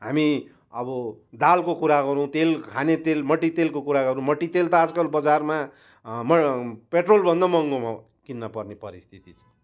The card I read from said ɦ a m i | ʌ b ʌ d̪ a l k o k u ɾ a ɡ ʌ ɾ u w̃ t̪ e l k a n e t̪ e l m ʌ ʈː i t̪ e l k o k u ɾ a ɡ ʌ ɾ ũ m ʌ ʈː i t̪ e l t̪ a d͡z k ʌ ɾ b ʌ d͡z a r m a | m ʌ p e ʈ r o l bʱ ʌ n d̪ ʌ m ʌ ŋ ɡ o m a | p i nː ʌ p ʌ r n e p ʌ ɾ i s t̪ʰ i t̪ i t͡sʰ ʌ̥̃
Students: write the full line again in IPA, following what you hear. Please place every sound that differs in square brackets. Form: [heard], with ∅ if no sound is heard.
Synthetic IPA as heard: ɦ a m i | ʌ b ʌ d̪ a l k o k u ɾ a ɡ ʌ ɾ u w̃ t̪ e l [kʰ] a n e t̪ e l m ʌ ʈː i t̪ e l k o k u ɾ a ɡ ʌ ɾ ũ m ʌ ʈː i t̪ e l t̪ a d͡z k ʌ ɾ b ʌ d͡z a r m a | m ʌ p e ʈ r o l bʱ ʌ n d̪ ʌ m ʌ ŋ ɡ o m a | [k] i nː ʌ p ʌ r n e p ʌ ɾ i s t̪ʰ i t̪ i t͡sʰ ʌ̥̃

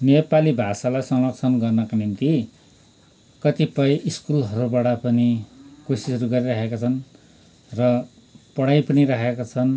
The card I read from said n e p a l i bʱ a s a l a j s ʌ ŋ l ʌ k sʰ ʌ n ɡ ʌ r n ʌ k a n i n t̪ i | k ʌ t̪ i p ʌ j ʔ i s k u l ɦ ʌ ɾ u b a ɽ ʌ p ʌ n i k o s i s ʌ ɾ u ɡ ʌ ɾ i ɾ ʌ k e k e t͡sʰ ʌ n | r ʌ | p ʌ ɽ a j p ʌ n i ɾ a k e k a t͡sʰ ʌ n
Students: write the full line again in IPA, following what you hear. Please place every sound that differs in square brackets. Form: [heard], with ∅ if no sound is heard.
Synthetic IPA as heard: n e p a l i bʱ a s a l a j s ʌ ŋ l ʌ k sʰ ʌ n ɡ ʌ r n ʌ k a n i n t̪ i | k ʌ t̪ i p ʌ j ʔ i s k u l ɦ ʌ ɾ u b a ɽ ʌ p ʌ n i k o s i s ʌ ɾ u ɡ ʌ ɾ i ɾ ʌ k e k [a] t͡sʰ ʌ n | r ʌ | p ʌ ɽ a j p ʌ n i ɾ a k e k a t͡sʰ ʌ n

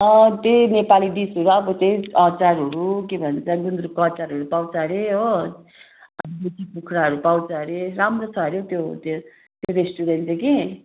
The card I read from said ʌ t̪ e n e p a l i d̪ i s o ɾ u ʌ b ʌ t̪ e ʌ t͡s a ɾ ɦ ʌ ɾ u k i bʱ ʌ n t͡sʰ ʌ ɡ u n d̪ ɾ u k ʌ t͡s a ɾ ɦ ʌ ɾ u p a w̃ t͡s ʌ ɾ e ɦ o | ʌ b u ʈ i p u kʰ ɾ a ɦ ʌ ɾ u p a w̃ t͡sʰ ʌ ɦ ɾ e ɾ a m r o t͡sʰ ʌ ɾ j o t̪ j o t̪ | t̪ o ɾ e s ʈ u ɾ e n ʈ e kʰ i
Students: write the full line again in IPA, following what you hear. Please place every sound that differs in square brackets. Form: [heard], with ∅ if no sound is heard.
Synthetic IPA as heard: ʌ t̪ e n e p a l i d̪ i s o ɾ u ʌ b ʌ t̪ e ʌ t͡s a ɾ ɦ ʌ ɾ u k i bʱ ʌ n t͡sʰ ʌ ɡ u n d̪ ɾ u k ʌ t͡s a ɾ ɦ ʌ ɾ u p a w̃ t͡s ʌ ɾ e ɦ o | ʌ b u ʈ i p u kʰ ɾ a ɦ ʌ ɾ u p a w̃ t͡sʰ ʌ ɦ ɾ e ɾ a m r o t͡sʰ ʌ ɾ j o t̪ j o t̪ | t̪ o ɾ e s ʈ u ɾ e n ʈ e [k] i

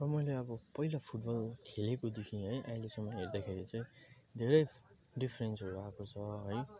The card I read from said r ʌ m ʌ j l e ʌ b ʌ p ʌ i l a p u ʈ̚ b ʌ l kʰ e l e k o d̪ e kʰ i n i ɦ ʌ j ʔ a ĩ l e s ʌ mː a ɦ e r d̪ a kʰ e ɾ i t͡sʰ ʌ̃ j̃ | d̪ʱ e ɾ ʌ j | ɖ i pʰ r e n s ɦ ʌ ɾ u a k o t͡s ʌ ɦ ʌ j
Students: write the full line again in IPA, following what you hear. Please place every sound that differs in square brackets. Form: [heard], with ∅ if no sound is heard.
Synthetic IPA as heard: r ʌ m ʌ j l e ʌ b ʌ p ʌ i l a [pʰ] u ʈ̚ b ʌ l kʰ e l e k o d̪ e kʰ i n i ɦ ʌ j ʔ a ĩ l e s ʌ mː [ʌ] ɦ e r d̪ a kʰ e ɾ i [t͡s] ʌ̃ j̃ | d̪ʱ e ɾ ʌ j | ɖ i pʰ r e n s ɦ ʌ ɾ u a k o [t͡sʰ] ʌ ɦ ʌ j

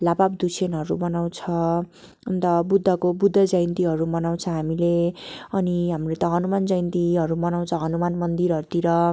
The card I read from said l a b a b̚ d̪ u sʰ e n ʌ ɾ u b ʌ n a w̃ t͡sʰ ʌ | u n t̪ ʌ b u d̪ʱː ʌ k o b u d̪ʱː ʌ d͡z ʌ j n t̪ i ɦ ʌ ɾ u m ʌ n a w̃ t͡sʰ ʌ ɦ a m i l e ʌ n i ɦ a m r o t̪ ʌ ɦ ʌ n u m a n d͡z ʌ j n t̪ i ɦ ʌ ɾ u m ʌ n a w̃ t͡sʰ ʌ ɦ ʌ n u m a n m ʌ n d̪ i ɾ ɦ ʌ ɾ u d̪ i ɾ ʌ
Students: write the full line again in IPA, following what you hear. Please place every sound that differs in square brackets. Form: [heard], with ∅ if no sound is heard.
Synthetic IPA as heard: l a b a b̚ d̪ u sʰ e n ʌ ɾ u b ʌ n a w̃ t͡sʰ ʌ | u n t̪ ʌ b u d̪ʱː ʌ k o b u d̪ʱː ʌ d͡z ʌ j n t̪ i ɦ ʌ ɾ u m ʌ n a w̃ t͡sʰ ʌ ɦ a m i l e ʌ n i ɦ a m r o t̪ ʌ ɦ ʌ n u m a n d͡z ʌ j n t̪ i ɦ ʌ ɾ u m ʌ n a w̃ t͡sʰ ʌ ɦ ʌ n u m a n m ʌ n d̪ i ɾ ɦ ʌ ɾ u [t̪] i ɾ ʌ

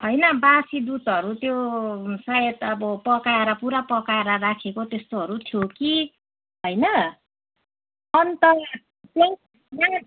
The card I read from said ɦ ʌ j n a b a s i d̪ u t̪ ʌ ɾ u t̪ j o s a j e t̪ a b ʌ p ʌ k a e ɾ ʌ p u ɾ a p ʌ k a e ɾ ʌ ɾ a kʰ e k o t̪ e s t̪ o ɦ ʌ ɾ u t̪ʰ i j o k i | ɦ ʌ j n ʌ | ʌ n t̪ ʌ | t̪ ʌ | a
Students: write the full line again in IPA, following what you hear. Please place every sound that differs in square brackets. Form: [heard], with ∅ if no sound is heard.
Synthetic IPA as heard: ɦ ʌ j n [ʌ] b a s i d̪ u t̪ ʌ ɾ u t̪ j o s a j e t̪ [ʌ] b ʌ p ʌ k a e ɾ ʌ p u ɾ a p ʌ k a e ɾ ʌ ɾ a kʰ e k o t̪ e s t̪ o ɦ ʌ ɾ u t̪ʰ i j o k i | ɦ ʌ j n ʌ | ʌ n t̪ ʌ | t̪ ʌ | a

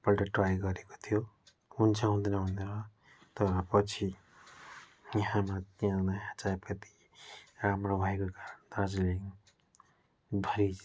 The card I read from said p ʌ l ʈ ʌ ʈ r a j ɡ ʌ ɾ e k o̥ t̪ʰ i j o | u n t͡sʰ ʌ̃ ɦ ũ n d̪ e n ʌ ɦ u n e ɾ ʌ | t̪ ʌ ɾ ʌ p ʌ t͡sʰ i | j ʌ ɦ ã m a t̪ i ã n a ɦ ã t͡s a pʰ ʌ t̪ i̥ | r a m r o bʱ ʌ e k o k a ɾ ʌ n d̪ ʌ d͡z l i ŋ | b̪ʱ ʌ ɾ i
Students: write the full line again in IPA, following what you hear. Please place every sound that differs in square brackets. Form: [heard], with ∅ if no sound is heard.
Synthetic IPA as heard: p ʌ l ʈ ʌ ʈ r a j ɡ ʌ ɾ e k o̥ t̪ʰ i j o | u n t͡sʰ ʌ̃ ɦ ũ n d̪ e n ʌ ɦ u n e ɾ ʌ | t̪ ʌ ɾ ʌ p ʌ t͡sʰ i | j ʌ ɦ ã m a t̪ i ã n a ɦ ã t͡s a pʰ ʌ t̪ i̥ | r a m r o bʱ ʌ e k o k a ɾ ʌ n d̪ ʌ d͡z l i ŋ | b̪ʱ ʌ ɾ i

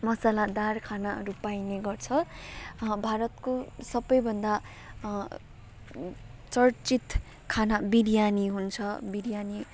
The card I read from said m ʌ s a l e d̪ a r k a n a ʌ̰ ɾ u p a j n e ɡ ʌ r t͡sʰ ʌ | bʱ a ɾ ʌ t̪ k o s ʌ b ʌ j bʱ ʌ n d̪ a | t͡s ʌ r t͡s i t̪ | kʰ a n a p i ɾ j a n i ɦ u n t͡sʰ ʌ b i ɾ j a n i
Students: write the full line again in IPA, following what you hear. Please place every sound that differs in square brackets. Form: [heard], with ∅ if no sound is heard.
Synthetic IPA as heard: m ʌ s a l [a] d̪ a r [kʰ] a n a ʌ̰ ɾ u p a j n e ɡ ʌ r t͡sʰ ʌ | bʱ a ɾ ʌ t̪ k o s ʌ b ʌ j bʱ ʌ n d̪ a | t͡s ʌ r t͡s i t̪ | kʰ a n a [b] i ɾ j a n i ɦ u n t͡sʰ ʌ b i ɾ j a n i

